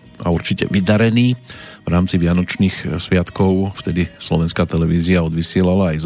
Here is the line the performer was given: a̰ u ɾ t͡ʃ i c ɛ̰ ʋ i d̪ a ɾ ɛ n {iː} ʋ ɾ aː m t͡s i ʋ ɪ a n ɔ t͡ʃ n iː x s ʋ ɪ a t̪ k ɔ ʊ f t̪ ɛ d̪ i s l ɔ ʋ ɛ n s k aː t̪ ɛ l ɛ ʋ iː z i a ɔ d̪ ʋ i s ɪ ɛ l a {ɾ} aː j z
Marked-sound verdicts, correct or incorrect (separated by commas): correct, incorrect